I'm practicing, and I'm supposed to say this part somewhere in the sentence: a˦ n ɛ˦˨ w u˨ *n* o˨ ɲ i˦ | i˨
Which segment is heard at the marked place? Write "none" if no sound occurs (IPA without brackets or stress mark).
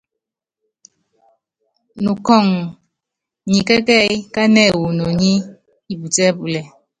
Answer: n